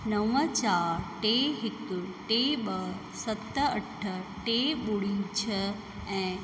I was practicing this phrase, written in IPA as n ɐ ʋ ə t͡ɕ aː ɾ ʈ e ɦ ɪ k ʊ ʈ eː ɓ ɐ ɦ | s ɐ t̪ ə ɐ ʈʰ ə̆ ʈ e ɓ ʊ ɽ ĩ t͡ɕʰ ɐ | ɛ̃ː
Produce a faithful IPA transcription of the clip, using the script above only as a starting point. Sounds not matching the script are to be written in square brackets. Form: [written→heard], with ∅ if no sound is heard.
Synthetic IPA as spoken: n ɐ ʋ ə t͡ɕ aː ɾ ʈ e ɦ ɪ k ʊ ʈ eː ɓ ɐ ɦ | s ɐ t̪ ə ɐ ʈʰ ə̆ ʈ e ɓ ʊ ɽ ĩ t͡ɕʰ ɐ | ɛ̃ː